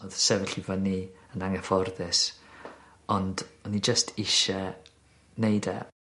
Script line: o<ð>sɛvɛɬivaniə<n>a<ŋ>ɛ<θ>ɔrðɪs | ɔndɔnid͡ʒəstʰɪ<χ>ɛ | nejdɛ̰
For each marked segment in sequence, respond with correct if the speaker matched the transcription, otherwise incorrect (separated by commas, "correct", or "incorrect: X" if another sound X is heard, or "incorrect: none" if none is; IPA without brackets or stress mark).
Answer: correct, correct, correct, incorrect: f, incorrect: ʃ